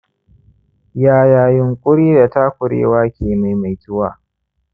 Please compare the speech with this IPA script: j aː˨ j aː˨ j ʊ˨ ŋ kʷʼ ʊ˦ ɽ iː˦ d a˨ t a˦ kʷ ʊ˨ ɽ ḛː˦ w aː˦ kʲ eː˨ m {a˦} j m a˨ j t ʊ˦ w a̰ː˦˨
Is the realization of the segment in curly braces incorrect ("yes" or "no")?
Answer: yes